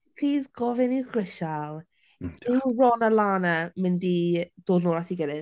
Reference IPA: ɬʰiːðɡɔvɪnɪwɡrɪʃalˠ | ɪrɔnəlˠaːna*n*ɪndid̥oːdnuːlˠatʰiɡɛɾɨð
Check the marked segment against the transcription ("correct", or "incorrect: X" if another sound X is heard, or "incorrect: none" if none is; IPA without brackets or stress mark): incorrect: m